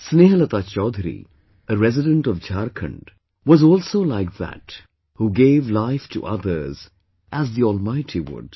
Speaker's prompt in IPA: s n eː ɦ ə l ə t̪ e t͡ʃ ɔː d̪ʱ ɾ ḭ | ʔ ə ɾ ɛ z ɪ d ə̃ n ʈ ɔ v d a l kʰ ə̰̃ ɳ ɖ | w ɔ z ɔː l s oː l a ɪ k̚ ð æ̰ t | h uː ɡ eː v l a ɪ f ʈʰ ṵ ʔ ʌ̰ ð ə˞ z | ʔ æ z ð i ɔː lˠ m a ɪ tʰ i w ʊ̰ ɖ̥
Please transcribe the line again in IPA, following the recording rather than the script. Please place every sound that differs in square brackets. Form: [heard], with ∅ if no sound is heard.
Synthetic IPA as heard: s n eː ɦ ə l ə t̪ [a] t͡ʃ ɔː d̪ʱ ɾ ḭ | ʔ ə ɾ ɛ z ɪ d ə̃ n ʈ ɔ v [d͡ʒ] a [ɾ] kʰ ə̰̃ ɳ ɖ | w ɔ z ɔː l s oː l a ɪ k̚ ð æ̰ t | h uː ɡ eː v l a ɪ f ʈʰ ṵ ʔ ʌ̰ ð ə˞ z | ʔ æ z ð i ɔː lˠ m a ɪ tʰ i w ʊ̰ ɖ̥